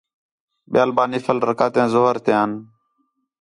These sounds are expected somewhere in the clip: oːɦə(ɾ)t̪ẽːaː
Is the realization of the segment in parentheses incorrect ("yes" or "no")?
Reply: no